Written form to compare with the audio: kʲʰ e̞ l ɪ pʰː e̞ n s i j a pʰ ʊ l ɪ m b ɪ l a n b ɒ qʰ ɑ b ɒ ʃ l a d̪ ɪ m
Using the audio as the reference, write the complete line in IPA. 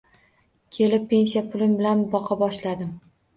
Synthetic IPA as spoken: kʲʰ e̞ l ɪ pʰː e̞ n s i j a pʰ ʊ l ɪ m b ɪ l a n b ɒ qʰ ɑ b ɒ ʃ l a d̪ ɪ m

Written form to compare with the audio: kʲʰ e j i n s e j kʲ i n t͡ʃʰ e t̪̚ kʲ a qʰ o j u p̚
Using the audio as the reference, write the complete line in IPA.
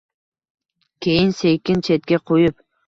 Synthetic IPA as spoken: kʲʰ e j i n s e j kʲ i n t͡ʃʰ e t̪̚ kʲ e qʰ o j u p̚

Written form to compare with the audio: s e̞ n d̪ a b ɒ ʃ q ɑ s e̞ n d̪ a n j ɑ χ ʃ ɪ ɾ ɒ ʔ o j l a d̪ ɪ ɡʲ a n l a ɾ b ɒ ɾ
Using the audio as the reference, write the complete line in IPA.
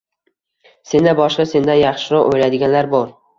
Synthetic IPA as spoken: s e̞ n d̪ a b ɒ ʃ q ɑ s e̞ n d̪ a n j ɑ χ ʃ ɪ ɾ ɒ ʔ o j l a d̪ ɪ ɡʲ a n l a ɾ b ɒ ɾ

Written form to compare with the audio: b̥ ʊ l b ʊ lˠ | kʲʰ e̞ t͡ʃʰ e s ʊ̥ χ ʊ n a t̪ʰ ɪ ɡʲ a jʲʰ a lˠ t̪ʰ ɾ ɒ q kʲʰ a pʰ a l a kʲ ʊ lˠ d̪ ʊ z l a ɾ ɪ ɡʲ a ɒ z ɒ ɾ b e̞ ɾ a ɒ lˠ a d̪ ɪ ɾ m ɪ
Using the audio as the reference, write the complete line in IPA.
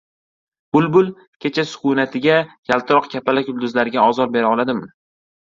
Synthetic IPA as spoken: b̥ ʊ l b ʊ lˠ | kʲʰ e̞ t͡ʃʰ a s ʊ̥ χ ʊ n a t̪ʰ ɪ ɡʲ a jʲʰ a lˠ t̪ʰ ɾ ɒ q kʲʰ a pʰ a l a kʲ ʊ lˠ d̪ ʊ z l a ɾ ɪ ɡʲ a ɒ z ɒ ɾ b e̞ ɾ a ɒ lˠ a d̪ ɪ m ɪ

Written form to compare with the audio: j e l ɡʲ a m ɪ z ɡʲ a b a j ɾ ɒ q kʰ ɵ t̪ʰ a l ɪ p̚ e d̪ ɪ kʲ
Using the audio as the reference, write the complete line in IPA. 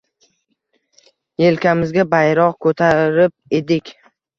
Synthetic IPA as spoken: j e l kʲ a m ɪ z ɡʲ a b a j ɾ ɒ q kʰ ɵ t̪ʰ a ɾ ɪ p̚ e d̪ ɪ kʲ

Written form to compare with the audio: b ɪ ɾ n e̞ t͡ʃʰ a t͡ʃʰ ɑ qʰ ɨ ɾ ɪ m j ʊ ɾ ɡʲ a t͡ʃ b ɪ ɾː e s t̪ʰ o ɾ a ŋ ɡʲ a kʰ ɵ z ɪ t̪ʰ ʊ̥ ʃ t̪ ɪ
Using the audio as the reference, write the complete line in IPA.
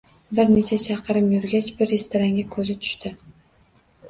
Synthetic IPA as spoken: b ɪ ɾ n e̞ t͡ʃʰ a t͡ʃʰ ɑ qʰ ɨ ɾ ɪ m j ʊ ɾ ɡʲ a t͡ʃ b ɪ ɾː e s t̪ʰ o ɾ a ŋ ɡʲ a kʰ ɵ z ɪ t̪ʰ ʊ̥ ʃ t̪ ɪ

